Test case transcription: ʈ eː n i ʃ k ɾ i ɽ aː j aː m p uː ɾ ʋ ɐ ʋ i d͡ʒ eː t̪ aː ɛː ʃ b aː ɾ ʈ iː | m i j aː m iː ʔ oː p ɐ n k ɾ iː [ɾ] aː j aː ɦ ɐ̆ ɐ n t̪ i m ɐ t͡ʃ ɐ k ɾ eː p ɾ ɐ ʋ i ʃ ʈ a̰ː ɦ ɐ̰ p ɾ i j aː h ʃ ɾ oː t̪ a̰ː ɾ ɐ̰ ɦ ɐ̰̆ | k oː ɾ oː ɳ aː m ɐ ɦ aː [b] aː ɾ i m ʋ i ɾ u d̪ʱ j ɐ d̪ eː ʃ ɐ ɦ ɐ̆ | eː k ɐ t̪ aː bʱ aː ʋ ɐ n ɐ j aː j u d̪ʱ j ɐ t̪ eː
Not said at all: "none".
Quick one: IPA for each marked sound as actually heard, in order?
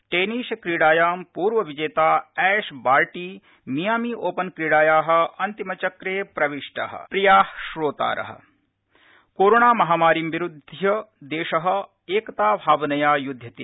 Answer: ɽ, m

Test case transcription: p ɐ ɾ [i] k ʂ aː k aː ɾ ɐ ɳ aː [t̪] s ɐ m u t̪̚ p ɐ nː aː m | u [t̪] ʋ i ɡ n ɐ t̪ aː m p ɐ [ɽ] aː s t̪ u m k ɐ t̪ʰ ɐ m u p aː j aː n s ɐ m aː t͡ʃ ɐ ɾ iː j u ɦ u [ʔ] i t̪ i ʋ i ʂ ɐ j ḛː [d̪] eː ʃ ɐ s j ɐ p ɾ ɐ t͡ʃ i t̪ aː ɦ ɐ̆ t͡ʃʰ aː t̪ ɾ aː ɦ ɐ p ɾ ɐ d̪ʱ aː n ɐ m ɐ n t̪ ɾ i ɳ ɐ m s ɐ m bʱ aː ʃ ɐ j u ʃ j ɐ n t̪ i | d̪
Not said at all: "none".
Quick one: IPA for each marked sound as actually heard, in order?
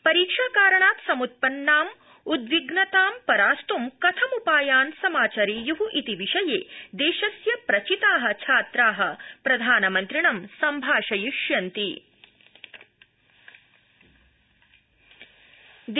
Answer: iː, t̪, d̪, ɾ, ʔ, d̪

